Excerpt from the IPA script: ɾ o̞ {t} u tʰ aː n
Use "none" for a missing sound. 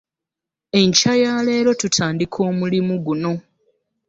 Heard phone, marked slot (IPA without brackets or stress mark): t